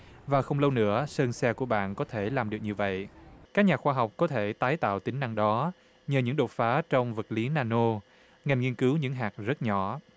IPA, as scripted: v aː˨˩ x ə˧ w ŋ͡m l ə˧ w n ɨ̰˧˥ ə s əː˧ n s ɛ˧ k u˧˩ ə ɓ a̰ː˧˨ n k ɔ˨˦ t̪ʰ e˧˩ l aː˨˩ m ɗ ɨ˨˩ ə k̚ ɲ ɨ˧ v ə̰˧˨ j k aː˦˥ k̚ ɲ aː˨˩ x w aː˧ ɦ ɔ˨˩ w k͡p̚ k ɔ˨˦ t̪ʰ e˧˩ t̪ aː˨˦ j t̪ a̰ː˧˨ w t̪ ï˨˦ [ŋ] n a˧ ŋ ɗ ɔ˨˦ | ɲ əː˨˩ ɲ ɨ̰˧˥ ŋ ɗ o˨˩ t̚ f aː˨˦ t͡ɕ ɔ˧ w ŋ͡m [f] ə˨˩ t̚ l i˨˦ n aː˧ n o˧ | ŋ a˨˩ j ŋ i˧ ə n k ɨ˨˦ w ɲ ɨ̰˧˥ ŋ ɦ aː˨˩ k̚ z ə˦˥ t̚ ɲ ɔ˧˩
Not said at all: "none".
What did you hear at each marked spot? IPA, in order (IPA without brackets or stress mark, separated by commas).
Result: ŋ, v